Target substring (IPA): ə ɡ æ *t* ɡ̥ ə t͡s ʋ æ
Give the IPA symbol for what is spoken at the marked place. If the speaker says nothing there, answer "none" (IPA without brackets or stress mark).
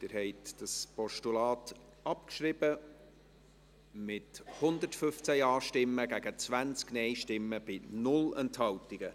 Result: none